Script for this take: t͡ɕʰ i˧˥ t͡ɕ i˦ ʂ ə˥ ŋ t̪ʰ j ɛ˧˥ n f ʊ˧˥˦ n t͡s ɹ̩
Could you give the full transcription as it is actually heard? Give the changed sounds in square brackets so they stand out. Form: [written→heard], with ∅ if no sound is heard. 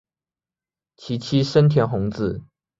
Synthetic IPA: t͡ɕʰ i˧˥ [t͡ɕ→t͡ɕʰ] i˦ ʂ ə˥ [ŋ→n] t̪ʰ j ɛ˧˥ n [f→x] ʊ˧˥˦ [n→ŋ] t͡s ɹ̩